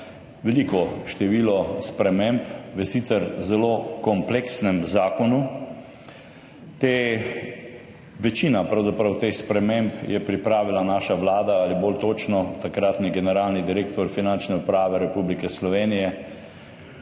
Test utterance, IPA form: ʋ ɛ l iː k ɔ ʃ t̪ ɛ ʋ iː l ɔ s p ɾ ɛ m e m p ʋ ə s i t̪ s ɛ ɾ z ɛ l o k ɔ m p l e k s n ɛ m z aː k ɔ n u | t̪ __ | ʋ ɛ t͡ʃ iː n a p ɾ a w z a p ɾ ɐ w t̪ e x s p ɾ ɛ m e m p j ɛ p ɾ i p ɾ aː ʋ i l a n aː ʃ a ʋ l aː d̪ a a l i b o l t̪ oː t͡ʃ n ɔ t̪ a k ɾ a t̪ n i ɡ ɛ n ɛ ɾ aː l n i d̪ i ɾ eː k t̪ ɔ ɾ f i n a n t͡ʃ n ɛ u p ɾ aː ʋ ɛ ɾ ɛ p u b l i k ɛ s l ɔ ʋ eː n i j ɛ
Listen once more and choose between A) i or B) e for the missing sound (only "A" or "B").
B